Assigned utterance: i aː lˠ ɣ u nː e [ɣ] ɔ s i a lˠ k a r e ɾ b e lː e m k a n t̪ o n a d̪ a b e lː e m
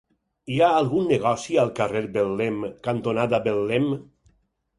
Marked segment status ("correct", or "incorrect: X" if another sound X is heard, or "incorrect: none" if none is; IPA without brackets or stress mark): correct